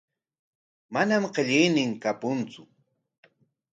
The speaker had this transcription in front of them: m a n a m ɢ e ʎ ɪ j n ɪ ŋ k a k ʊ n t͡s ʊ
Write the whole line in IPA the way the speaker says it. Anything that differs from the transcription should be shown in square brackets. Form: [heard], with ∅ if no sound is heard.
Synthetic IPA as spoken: m a n a m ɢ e ʎ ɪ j n ɪ ŋ k a [p] ʊ n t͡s ʊ